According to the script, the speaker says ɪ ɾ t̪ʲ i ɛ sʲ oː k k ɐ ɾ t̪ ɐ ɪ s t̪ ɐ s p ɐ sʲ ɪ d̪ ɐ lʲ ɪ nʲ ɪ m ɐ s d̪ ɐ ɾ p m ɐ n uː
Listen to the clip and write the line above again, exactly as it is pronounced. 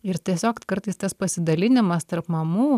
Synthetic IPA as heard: ɪ ɾ t̪ʲ i ɛ sʲ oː k k ɐ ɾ t̪ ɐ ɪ s t̪ ɐ s p ɐ sʲ ɪ d̪ ɐ lʲ ɪ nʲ ɪ m ɐ s t̪ ɐ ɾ p m ɐ m uː

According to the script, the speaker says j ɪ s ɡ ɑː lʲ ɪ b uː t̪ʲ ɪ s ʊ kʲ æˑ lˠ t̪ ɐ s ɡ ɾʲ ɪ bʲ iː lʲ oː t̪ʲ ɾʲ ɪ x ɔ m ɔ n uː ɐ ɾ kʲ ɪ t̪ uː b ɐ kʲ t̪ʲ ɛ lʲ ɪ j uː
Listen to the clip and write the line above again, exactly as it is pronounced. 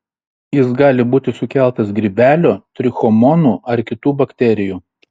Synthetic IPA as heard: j ɪ s ɡ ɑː lʲ ɪ b uː t̪ʲ ɪ s ʊ kʲ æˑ lˠ t̪ ɐ s ɡ ɾʲ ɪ bʲ æː lʲ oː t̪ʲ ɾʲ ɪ x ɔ m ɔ n uː ɐ ɾ kʲ ɪ t̪ uː b ɐ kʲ t̪ʲ ɛ ɾʲ ɪ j uː

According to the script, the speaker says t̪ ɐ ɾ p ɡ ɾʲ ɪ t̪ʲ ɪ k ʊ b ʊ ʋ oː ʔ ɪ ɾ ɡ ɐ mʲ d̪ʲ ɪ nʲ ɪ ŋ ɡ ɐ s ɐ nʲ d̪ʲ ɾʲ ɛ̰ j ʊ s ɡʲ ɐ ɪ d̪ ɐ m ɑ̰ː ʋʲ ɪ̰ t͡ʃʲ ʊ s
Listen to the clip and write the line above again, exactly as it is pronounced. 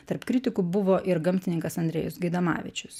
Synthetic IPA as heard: t̪ ɐ ɾ p k ɾʲ ɪ t̪ʲ ɪ k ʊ b ʊ ʋ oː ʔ ɪ ɾ ɡ ɐ mʲ t̪ʲ ɪ nʲ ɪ ŋ k ɐ s ɐ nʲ d̪ʲ ɾʲ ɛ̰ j ʊ s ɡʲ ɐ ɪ d̪ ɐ m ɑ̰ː ʋʲ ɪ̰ t͡ʃʲ ʊ s

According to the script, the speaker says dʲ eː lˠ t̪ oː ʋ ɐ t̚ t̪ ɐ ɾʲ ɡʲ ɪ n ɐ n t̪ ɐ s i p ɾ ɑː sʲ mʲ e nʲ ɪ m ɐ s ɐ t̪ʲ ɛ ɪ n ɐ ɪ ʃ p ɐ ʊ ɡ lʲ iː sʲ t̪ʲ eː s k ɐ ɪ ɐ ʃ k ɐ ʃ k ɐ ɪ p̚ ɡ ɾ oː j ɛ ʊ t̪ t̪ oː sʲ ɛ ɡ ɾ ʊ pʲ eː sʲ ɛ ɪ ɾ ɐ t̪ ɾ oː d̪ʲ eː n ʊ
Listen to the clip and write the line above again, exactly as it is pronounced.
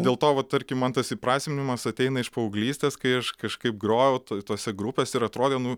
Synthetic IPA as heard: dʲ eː lˠ t̪ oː ʋ ɐ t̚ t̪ ɐ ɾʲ kʲ ɪ m ɐ n t̪ ɐ s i p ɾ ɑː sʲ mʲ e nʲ ɪ m ɐ s ɐ t̪ʲ ɛ ɪ n ɐ ɪ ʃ p ɐ ʊ ɡ lʲ iː sʲ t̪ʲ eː s k ɐ ɪ ɐ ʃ k ɐ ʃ k ɐ ɪ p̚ ɡ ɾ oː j ɛ ʊ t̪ t̪ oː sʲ ɛ ɡ ɾ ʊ pʲ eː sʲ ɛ ɪ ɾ ɐ t̪ ɾ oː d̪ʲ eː n ʊ

